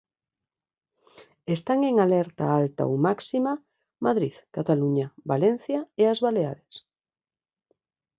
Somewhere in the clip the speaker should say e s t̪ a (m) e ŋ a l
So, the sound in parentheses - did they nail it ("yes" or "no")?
no